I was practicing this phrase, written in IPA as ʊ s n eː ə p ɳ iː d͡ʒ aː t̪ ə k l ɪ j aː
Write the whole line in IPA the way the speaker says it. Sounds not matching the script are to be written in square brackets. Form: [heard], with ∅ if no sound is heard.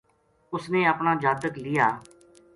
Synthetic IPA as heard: ʊ s n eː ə p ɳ [aː] d͡ʒ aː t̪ ə k l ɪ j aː